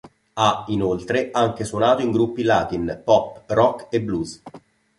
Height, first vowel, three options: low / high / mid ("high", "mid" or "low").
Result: low